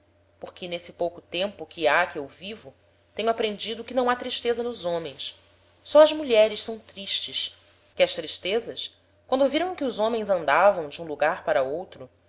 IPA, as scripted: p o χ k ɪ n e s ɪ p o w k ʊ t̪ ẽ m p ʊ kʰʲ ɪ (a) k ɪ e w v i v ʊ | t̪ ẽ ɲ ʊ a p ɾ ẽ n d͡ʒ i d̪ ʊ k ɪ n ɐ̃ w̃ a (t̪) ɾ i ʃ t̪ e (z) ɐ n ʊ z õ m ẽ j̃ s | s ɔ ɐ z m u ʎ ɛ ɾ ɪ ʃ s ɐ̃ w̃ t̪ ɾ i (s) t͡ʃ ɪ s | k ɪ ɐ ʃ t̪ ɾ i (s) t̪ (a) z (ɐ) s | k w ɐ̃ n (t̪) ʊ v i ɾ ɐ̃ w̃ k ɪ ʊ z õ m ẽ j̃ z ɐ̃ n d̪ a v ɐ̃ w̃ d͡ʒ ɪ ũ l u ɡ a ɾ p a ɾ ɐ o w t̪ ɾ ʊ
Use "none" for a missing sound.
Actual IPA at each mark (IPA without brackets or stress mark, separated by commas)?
a, t̪, z, ʃ, ʃ, e, ɐ, d̪